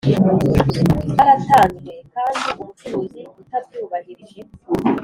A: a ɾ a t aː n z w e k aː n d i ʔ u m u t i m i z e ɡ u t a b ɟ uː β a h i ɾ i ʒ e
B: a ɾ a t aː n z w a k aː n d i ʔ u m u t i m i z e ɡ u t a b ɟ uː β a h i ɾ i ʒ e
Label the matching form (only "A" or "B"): A